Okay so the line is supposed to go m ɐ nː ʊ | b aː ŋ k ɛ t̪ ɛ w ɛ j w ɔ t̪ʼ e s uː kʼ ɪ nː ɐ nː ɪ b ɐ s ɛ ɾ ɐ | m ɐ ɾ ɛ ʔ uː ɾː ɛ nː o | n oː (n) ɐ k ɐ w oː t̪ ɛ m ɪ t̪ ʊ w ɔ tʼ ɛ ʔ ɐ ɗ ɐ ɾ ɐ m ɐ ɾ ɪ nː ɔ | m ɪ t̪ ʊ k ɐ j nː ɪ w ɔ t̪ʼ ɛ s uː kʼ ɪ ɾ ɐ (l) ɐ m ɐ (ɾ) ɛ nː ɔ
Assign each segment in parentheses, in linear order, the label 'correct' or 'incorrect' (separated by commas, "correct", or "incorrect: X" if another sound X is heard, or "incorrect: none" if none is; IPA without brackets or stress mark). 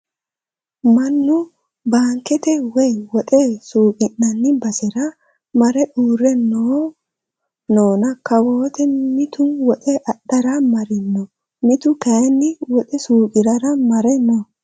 correct, incorrect: ɾ, correct